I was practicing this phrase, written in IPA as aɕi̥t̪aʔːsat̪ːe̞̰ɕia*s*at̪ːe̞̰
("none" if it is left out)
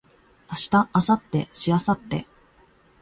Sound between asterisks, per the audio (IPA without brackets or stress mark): s